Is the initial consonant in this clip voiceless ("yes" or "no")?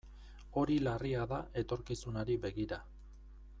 no